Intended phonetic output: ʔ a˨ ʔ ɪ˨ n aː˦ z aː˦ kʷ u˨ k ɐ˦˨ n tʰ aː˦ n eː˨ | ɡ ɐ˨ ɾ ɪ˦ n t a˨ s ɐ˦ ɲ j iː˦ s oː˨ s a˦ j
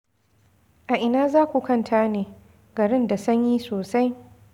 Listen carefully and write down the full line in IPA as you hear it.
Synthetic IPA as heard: ʔ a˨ ʔ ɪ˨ n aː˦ z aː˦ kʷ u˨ k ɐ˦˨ n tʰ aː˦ n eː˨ | ɡ ɐ˨ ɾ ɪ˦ n d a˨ s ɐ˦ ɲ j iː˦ s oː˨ s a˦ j